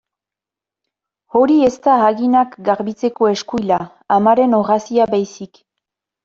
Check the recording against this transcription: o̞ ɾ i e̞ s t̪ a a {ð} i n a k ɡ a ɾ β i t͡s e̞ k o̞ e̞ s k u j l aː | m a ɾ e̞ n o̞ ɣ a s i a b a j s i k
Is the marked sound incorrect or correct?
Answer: incorrect